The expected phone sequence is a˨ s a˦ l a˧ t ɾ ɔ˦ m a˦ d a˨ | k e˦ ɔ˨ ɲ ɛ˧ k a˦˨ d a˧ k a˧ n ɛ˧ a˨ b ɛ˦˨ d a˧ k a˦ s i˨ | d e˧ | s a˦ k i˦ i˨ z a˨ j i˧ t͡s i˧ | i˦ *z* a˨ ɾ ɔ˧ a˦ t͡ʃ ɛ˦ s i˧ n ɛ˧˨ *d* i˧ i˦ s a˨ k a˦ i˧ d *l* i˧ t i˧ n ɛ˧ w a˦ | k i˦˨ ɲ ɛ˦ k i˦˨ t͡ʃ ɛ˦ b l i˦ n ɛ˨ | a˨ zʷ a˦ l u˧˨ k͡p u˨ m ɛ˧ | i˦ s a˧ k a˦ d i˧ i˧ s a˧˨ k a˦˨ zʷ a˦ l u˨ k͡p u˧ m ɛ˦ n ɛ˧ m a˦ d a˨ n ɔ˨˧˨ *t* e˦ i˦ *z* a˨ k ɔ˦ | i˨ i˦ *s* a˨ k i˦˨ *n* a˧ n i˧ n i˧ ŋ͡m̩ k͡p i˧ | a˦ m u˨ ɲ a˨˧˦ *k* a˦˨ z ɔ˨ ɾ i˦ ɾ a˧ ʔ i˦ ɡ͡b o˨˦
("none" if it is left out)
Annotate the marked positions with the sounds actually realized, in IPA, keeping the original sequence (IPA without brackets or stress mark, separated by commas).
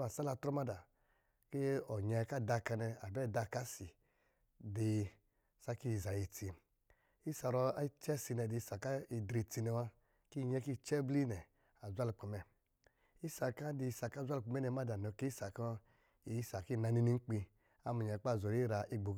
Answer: s, d, ɾ, k, s, s, n, k͡p